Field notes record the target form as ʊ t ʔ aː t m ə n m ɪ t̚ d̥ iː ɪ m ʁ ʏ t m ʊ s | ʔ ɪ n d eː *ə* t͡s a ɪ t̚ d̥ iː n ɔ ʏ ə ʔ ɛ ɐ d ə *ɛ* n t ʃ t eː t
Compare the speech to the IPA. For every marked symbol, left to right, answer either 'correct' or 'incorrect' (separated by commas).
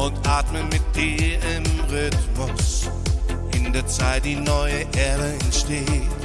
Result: incorrect, correct